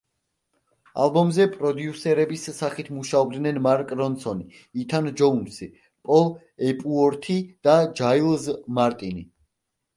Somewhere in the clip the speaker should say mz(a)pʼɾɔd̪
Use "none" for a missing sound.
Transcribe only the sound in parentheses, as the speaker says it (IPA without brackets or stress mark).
ɛ